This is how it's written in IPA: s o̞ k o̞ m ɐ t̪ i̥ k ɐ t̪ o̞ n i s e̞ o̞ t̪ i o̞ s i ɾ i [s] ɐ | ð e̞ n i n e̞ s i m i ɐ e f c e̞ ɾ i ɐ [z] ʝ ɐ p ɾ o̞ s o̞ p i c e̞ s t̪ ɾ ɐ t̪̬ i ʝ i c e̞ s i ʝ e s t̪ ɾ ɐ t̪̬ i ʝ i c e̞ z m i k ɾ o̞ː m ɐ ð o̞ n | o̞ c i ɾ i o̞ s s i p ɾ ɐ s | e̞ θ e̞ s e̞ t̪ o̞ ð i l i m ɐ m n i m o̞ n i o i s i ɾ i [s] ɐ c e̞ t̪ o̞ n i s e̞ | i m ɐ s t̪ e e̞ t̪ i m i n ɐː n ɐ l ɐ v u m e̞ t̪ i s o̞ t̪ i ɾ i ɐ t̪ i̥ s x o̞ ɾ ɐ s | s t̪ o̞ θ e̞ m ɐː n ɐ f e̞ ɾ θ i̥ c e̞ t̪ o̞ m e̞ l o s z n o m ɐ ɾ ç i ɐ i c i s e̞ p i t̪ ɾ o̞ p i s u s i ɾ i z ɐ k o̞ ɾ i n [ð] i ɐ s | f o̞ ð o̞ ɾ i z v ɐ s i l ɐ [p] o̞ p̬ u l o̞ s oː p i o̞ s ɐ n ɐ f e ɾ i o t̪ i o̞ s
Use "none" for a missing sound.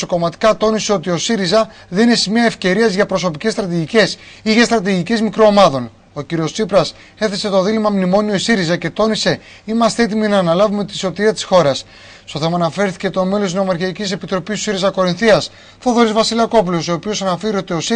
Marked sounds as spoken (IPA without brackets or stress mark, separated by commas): z, z, z, θ, k